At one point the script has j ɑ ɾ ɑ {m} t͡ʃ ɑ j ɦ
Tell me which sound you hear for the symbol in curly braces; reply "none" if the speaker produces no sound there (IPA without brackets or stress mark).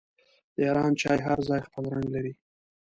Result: n